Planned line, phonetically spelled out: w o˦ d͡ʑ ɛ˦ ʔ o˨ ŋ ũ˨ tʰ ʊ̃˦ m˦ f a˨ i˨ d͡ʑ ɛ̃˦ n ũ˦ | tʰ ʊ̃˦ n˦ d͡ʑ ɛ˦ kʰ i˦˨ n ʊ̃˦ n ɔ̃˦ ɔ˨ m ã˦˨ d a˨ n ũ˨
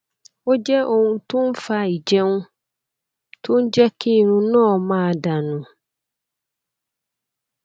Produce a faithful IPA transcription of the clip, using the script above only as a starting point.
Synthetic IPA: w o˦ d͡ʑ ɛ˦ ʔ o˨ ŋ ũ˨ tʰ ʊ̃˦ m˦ f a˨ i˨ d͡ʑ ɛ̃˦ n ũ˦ | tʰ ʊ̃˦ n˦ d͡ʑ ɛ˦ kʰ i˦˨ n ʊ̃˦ n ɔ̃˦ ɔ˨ m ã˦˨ d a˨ n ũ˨